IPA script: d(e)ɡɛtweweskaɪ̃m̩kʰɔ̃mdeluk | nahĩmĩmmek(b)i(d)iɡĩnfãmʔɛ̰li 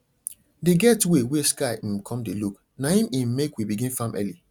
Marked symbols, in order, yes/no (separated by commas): yes, no, no